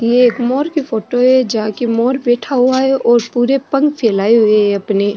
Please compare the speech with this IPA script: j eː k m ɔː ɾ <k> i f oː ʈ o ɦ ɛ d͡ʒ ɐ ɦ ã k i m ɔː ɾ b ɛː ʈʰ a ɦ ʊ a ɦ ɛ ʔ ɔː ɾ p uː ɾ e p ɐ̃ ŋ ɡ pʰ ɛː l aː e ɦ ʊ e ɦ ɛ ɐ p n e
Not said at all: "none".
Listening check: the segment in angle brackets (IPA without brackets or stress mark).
k